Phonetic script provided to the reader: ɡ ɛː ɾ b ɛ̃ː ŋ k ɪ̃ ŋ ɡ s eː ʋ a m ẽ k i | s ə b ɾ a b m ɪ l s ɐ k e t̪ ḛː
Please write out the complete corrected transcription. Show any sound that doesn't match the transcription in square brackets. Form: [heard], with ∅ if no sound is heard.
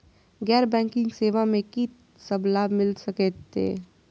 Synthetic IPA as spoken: ɡ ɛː ɾ b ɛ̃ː ŋ k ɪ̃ ŋ ɡ s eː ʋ a m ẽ k i | s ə b [l] a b m ɪ l s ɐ k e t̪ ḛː